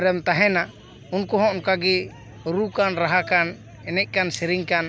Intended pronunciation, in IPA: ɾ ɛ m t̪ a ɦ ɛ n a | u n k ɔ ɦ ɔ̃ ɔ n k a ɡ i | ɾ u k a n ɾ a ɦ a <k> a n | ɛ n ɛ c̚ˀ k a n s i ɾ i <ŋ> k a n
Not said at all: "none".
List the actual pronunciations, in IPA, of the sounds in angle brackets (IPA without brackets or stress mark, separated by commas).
k, ŋ